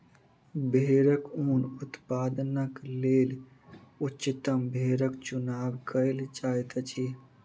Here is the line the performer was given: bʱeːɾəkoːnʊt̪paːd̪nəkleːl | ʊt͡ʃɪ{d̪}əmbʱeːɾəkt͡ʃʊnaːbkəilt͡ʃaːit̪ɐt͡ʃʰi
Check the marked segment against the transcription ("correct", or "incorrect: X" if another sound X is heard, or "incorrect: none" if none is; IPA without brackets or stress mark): incorrect: t̪